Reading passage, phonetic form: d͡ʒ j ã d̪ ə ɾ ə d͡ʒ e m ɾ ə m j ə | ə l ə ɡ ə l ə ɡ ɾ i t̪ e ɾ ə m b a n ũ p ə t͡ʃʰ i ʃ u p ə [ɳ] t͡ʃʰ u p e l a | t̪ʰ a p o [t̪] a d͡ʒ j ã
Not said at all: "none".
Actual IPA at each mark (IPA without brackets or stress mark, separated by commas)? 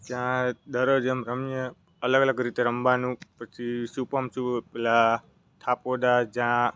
m, d̪